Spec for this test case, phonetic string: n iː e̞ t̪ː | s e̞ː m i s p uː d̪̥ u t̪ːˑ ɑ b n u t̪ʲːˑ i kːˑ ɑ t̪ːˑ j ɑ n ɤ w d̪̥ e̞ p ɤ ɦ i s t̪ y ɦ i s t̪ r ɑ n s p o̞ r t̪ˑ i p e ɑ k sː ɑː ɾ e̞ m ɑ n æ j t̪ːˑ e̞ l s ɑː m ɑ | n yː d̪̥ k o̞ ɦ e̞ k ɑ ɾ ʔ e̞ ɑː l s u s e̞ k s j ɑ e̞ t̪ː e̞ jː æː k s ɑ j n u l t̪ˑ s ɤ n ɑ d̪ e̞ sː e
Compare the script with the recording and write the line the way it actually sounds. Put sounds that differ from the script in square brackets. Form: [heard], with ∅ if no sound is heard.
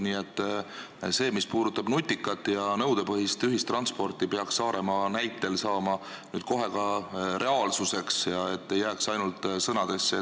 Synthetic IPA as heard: n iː e̞ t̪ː | s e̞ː m i s p uː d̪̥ u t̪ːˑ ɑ b n u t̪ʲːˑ i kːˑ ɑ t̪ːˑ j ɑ n ɤ w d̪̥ e̞ p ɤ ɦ i s t̪ y ɦ i s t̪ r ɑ n s p o̞ r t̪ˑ i p e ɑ k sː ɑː ɾ e̞ m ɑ n æ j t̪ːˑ e̞ l s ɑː m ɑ | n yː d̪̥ k o̞ ɦ e̞ k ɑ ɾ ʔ e̞ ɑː l s u s e̞ k s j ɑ e̞ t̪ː e̞ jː æː k s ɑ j n u l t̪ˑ s ɤ n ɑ d̪ e̞ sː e